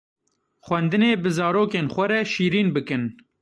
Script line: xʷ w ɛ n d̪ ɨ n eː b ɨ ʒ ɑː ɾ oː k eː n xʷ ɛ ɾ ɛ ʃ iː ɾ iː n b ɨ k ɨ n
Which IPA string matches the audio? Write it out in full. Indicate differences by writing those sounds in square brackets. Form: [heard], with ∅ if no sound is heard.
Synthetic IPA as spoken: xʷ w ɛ n d̪ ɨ n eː b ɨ [z] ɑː ɾ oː k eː n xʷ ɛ ɾ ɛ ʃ iː ɾ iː n b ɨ k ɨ n

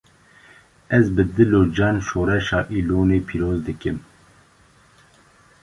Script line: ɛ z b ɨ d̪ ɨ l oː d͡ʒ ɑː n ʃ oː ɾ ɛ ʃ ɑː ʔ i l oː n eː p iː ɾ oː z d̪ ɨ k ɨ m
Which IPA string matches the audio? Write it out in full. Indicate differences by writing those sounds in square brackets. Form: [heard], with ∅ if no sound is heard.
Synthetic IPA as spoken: ɛ z b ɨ d̪ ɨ l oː d͡ʒ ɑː n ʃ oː ɾ ɛ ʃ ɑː ʔ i l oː n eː [pʰ] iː ɾ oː z d̪ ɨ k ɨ m

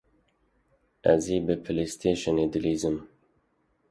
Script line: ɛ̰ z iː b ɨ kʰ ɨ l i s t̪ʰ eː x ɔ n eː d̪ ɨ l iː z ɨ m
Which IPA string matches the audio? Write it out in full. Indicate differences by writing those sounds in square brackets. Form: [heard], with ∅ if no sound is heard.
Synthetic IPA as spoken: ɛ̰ z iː b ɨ [pʰ] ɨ l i s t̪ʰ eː [ʃ] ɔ n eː d̪ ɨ l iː z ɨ m

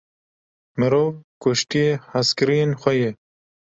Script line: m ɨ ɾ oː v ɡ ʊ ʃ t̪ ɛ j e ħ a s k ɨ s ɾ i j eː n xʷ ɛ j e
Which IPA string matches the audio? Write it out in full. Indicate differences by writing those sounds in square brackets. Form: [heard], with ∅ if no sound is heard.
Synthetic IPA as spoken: m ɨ ɾ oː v [k] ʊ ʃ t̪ [i] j e [h] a s k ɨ [∅] ɾ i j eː n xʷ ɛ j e

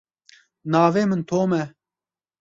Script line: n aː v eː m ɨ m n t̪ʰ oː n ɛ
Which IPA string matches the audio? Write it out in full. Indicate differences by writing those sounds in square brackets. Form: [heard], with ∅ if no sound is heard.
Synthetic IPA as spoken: n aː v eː m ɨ [∅] n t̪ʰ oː [m] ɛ

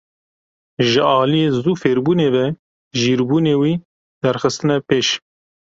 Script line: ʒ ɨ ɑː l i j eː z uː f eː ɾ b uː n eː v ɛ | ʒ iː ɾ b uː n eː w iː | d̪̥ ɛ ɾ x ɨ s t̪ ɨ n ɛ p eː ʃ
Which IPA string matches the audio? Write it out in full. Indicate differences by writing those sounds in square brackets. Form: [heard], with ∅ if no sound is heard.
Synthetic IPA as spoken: ʒ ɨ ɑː l i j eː z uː f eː ɾ b uː n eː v ɛ | ʒ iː ɾ b uː n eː w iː | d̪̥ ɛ ɾ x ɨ s t̪ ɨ n ɛ p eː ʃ

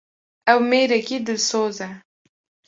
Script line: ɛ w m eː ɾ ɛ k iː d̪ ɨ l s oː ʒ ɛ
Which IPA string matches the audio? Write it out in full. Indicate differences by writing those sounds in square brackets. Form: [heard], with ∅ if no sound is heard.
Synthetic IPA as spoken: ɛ w m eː ɾ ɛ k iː d̪ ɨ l s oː [z] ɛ

